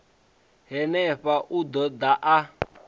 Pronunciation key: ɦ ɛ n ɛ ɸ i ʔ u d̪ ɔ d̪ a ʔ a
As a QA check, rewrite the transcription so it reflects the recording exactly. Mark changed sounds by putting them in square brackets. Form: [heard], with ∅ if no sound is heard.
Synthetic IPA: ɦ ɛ n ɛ ɸ [a] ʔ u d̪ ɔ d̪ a ʔ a